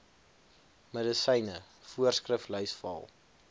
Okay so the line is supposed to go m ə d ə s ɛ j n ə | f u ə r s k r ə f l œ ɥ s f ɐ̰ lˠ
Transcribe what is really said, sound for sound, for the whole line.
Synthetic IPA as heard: m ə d ə s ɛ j n ə | f u ə r s k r ə f l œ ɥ s f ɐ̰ lˠ